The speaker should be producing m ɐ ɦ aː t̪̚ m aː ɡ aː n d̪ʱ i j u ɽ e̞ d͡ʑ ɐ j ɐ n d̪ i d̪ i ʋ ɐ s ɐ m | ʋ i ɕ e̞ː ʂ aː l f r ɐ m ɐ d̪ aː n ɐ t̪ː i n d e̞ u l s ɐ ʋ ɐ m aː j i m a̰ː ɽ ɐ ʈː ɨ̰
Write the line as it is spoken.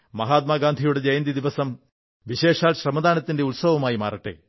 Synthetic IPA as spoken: m ɐ ɦ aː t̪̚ m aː ɡ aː n d̪ʱ i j u ɽ e̞ d͡ʑ ɐ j ɐ n d̪ i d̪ i ʋ ɐ s ɐ m | ʋ i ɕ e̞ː ʂ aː l ɕ r ɐ m ɐ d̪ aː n ɐ t̪ː i n d e̞ u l s ɐ ʋ ɐ m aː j i m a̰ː r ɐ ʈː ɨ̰

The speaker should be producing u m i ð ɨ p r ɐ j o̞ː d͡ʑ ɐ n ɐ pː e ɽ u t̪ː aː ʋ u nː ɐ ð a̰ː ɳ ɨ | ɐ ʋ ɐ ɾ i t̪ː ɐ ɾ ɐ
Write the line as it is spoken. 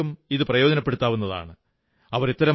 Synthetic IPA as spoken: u m i ð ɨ p r ɐ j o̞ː d͡ʑ ɐ n ɐ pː e ɽ u t̪ː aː ʋ u nː ɐ ð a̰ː ɳ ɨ | ɐ ʋ ɐ ɾ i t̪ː ɐ ɾ ɐ

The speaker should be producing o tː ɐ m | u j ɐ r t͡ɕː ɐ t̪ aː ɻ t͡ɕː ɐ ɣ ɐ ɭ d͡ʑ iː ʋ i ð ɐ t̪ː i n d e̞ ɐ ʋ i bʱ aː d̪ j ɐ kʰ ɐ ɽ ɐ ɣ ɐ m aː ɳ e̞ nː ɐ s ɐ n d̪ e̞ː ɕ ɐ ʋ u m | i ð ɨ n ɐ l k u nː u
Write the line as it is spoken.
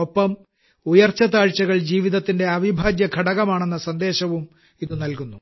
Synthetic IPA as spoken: o pː ɐ m | u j ɐ r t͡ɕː ɐ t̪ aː ɻ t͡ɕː ɐ ɣ ɐ ɭ d͡ʑ iː ʋ i ð ɐ t̪ː i n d e̞ ɐ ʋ i bʱ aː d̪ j ɐ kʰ ɐ ɽ ɐ ɣ ɐ m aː ɳ e̞ nː ɐ s ɐ n d̪ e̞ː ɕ ɐ ʋ u m | i ð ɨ n ɐ l k u nː u

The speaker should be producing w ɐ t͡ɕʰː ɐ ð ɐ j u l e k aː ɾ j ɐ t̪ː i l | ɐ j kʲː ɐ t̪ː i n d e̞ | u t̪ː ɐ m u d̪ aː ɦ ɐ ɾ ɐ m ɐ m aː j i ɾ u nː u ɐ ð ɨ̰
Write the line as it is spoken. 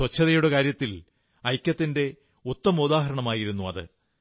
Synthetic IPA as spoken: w ɐ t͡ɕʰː ɐ ð ɐ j u ɽ e k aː ɾ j ɐ t̪ː i l | ɐ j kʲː ɐ t̪ː i n d e̞ | u t̪ː ɐ m u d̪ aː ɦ ɐ ɾ ɐ ɳ ɐ m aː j i ɾ u nː u ɐ ð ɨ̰

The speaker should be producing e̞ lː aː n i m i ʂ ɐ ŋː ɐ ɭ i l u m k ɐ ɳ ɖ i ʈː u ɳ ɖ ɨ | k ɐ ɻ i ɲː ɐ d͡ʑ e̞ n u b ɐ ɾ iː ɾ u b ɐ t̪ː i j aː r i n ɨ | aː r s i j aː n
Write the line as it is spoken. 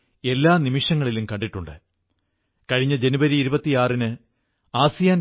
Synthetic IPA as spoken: e̞ lː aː n i m i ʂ ɐ ŋː ɐ ɭ i l u m k ɐ ɳ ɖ i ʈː u ɳ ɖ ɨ | k ɐ ɻ i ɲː ɐ d͡ʑ e̞ n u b ɐ ɾ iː ɾ u b ɐ t̪ː i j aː r i n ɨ | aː s i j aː n

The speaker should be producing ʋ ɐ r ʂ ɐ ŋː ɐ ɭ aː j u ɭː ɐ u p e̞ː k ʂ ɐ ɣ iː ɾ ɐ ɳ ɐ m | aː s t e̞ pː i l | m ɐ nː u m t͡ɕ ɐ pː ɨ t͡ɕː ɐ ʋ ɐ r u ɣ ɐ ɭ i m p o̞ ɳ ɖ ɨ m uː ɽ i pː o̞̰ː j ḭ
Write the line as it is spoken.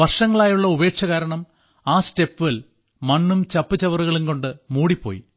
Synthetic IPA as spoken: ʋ ɐ r ʂ ɐ ŋː ɐ ɭ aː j u ɭː ɐ u b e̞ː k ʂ ɐ ɣ aː ɾ ɐ ɳ ɐ m | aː s t e̞ pː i l | m ɐ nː u m t͡ɕ ɐ pː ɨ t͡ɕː ɐ ʋ ɐ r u ɣ ɐ ɭ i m k o̞ ɳ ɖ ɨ m uː ɽ i pː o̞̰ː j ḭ

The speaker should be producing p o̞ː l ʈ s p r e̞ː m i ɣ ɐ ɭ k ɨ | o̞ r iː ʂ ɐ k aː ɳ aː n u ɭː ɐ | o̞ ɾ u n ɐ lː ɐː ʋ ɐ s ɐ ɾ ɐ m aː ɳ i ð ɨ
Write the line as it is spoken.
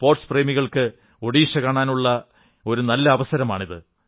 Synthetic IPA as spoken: p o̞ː r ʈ s p r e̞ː m i ɣ ɐ ɭ k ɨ | o̞ ɽ iː ʂ ɐ k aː ɳ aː n u ɭː ɐ | o̞ ɾ u n ɐ lː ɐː ʋ ɐ s ɐ ɾ ɐ m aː ɳ i ð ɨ

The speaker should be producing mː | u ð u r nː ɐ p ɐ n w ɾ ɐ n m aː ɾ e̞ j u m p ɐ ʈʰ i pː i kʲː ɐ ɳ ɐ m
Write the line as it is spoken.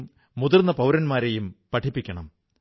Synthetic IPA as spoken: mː | u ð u r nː ɐ p ɐ w ɾ ɐ n m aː ɾ e̞ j u m p ɐ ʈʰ i pː i kʲː ɐ ɳ ɐ m

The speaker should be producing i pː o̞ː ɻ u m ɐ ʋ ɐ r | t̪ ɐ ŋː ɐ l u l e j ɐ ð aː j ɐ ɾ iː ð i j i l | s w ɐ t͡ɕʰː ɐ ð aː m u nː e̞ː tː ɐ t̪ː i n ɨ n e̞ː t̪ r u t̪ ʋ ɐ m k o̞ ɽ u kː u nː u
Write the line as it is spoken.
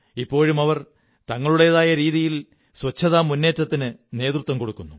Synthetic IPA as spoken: i pː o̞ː ɻ u m ɐ ʋ ɐ r | t̪ ɐ ŋː ɐ ɭ u ɽ e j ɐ ð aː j ɐ ɾ iː ð i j i l | s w ɐ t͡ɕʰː ɐ ð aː m u nː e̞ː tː ɐ t̪ː i n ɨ n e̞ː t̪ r u t̪ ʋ ɐ m k o̞ ɽ u kː u nː u

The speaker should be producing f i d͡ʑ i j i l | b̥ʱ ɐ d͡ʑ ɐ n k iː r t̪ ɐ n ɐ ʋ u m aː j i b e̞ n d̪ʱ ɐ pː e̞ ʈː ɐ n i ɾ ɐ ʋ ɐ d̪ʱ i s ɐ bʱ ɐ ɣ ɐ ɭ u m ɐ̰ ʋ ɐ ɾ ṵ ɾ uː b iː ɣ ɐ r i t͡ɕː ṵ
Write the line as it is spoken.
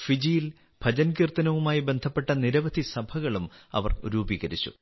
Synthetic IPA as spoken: f i d͡ʑ i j i l | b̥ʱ ɐ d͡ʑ ɐ n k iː r t̪ ɐ n ɐ ʋ u m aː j i b e̞ n d̪ʱ ɐ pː e̞ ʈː ɐ n i ɾ ɐ ʋ ɐ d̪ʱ i s ɐ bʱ ɐ ɣ ɐ ɭ u m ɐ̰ ʋ ɐ r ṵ ɾ uː b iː ɣ ɐ ɾ i t͡ɕː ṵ

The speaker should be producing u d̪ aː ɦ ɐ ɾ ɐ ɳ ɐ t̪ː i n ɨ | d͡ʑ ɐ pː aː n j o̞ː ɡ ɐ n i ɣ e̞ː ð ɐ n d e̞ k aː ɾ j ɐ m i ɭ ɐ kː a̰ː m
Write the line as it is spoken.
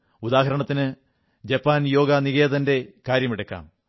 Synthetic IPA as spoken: u d̪ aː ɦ ɐ ɾ ɐ ɳ ɐ t̪ː i n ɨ | d͡ʑ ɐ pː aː n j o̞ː ɡ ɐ n i ɣ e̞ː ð ɐ n d e̞ k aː ɾ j ɐ m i ɽ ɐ kː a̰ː m

